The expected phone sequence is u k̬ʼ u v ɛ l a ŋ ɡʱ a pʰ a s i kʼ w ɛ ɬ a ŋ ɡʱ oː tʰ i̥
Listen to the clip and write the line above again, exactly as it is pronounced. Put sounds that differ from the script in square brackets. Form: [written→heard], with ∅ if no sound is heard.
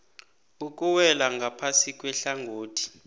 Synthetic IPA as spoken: u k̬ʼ u [v→w] ɛ l a ŋ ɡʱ a pʰ a s i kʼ w ɛ ɬ a ŋ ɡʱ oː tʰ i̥